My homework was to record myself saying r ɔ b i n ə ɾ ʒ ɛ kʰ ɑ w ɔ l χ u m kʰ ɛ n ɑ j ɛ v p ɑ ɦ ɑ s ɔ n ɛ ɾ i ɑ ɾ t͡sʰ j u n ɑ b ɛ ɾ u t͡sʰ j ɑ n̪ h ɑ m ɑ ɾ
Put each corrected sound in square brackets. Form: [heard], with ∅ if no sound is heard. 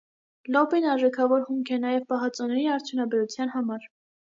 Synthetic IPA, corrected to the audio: [l] ɔ b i n [ɑ] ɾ ʒ ɛ kʰ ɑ [v] ɔ [ɾ] χ u m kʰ ɛ n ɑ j ɛ v p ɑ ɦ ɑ [t͡s] ɔ n ɛ ɾ i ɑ ɾ t͡sʰ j u n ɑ b ɛ ɾ u t͡sʰ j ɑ n̪ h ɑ m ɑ ɾ